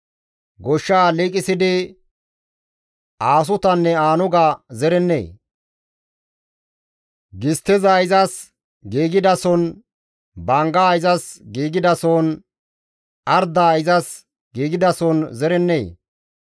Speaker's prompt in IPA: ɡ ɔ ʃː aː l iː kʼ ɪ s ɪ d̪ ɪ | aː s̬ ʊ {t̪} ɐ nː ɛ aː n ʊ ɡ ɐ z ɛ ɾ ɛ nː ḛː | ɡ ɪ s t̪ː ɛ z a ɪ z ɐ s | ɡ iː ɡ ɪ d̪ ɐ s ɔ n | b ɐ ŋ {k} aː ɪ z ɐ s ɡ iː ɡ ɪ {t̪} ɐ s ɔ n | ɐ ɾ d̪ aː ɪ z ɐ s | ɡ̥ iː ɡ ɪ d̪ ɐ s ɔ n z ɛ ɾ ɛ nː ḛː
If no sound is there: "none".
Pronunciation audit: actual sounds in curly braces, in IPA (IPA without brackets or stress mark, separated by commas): t̪, ɡ, d̪